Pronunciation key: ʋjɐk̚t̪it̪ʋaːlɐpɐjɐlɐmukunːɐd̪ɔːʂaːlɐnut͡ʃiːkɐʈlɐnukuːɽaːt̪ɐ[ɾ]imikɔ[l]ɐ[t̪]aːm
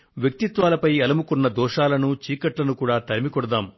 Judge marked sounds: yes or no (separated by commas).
yes, no, no